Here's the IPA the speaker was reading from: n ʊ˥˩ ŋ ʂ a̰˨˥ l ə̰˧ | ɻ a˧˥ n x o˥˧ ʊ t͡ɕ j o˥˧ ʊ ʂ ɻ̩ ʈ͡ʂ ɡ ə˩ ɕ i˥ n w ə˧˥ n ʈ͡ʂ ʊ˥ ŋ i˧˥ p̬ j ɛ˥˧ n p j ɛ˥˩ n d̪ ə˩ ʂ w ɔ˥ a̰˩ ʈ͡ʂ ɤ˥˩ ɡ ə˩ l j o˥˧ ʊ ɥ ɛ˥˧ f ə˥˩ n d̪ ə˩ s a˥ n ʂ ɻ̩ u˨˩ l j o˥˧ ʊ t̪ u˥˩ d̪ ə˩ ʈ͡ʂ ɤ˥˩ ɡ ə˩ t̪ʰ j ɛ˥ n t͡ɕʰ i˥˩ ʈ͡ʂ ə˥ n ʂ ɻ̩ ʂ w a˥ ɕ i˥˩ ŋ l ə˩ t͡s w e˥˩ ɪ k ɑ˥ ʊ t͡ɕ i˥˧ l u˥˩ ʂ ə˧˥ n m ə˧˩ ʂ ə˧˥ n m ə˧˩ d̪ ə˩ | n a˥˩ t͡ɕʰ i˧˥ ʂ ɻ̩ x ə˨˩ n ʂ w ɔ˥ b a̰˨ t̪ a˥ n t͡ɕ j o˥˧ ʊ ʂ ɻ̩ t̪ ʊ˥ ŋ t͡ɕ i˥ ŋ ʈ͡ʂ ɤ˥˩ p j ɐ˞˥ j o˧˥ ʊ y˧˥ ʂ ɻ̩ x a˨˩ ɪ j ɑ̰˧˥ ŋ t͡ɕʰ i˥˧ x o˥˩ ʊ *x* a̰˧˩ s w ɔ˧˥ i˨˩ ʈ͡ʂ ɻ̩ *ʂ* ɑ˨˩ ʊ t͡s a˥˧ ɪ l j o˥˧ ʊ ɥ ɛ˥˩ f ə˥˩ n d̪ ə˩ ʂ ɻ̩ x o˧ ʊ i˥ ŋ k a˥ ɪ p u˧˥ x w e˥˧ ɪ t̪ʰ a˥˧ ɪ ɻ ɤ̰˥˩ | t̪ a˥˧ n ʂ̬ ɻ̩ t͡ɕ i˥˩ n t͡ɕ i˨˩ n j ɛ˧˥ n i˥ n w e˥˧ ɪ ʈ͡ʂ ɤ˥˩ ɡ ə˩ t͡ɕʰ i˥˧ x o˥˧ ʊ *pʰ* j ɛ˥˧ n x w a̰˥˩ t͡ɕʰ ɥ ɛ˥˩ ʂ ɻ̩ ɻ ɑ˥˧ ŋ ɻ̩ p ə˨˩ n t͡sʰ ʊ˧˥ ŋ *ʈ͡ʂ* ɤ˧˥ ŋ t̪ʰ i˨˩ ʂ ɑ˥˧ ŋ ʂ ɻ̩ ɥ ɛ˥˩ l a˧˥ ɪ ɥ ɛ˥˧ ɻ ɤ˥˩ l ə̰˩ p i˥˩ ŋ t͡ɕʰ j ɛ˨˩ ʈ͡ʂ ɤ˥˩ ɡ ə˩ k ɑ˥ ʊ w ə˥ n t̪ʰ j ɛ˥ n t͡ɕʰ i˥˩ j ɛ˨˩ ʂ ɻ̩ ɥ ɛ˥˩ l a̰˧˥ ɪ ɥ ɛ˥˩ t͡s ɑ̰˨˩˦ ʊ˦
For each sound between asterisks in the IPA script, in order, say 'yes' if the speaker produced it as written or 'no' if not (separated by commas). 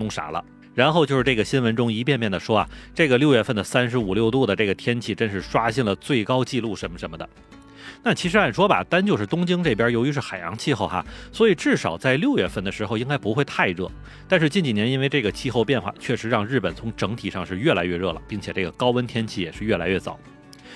yes, yes, no, yes